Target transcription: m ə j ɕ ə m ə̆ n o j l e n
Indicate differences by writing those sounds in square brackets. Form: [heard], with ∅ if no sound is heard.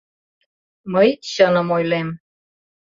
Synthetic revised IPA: m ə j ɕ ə [n] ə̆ [m] o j l e [m]